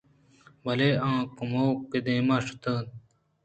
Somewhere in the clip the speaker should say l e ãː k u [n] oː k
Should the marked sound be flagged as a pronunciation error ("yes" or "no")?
yes